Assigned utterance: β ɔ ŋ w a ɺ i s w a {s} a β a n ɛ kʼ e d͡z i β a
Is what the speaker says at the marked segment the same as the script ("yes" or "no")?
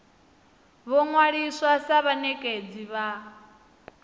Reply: yes